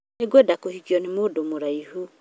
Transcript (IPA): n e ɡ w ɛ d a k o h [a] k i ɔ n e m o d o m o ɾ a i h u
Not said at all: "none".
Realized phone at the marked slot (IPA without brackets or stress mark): i